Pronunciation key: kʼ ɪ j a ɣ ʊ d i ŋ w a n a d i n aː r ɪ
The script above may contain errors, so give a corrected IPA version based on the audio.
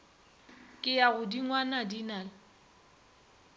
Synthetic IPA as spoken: kʼ ɪ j a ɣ ʊ d i ŋ w a n a d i n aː l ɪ